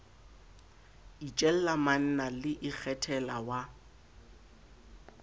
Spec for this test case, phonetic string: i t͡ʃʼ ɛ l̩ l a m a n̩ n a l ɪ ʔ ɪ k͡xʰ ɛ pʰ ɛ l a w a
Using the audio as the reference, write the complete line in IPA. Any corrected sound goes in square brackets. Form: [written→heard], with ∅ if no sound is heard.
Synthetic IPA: i t͡ʃʼ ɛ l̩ l a m a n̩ n a l ɪ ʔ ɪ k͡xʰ ɛ [pʰ→tʰ] ɛ l a w a